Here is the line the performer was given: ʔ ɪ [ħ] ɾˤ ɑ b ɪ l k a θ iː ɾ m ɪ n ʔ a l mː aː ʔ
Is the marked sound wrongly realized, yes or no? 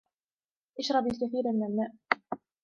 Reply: yes